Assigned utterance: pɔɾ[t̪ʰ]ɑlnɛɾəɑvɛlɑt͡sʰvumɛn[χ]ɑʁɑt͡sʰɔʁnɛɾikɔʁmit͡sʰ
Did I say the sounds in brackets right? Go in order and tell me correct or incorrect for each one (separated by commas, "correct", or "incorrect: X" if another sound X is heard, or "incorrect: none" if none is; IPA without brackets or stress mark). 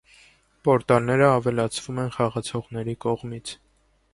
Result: incorrect: t̪, correct